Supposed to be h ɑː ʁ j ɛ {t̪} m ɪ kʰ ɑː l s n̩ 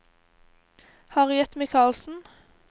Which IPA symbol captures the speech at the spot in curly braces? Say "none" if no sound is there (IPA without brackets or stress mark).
t̪